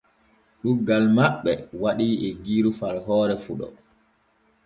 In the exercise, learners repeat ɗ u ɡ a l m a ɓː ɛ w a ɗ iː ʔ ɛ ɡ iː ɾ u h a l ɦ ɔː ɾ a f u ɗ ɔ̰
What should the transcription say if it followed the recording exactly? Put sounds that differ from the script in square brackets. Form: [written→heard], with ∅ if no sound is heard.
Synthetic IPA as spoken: ɗ u ɡ a l m a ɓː ɛ w a ɗ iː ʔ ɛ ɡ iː ɾ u [h→f] a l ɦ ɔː ɾ [a→ɛ] f u ɗ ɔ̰

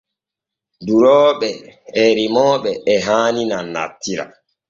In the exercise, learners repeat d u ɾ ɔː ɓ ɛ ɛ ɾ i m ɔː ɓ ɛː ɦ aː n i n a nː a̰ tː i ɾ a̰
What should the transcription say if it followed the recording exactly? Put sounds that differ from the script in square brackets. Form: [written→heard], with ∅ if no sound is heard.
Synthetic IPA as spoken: d u ɾ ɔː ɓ ɛ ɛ ɾ i m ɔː ɓ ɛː ɦ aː n i n a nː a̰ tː i ɾ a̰

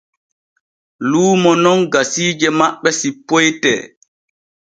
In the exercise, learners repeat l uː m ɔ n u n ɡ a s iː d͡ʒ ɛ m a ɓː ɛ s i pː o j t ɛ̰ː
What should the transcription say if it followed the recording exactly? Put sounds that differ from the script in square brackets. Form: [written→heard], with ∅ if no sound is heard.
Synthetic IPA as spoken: l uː m ɔ n [u→ɔ] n ɡ a s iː d͡ʒ ɛ m a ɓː ɛ s i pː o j t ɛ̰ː

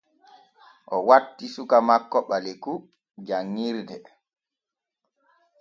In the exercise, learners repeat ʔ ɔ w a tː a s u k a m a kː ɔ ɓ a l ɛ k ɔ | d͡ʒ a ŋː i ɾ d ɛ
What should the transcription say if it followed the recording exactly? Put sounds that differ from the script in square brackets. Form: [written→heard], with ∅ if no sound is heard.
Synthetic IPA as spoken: ʔ ɔ w a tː [a→i] s u k a m a kː ɔ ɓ a l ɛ k [ɔ→u] | d͡ʒ a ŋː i ɾ d ɛ

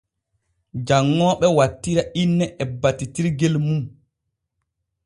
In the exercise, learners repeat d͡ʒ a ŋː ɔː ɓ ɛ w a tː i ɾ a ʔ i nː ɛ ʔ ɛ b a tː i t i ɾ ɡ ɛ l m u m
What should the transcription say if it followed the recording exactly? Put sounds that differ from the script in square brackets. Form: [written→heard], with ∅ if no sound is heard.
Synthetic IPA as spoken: d͡ʒ a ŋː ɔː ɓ ɛ w a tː i ɾ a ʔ i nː ɛ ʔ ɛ b a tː i t i ɾ ɡ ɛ l m u m

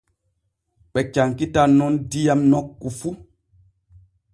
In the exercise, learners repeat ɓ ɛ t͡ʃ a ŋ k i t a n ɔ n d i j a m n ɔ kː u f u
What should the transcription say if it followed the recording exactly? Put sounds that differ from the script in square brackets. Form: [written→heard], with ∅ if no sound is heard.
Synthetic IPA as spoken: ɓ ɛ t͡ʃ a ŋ k i t a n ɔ n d i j a m n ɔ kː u f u

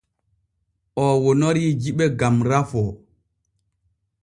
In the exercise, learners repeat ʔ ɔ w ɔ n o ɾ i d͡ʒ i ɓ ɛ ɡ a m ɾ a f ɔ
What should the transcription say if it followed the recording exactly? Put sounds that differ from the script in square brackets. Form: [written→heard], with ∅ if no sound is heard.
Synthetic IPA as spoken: ʔ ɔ w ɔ n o ɾ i d͡ʒ i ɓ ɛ ɡ a m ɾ a f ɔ

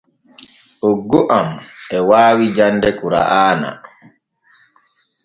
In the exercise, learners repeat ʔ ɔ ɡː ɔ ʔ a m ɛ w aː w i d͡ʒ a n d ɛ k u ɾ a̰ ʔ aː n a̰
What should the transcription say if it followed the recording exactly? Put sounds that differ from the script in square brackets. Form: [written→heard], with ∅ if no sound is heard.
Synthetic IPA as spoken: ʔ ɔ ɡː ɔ ʔ a m ɛ w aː w i d͡ʒ a n d ɛ k u ɾ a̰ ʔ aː n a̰

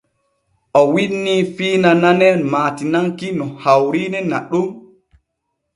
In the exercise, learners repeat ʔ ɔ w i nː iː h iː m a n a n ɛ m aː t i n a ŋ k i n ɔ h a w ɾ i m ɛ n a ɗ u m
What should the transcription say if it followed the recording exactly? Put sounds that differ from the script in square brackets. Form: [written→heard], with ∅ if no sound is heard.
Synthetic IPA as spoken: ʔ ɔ w i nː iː [h→f] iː [m→n] a n a n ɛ m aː t i n a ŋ k i n ɔ h a w ɾ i [m→n] ɛ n a ɗ u m

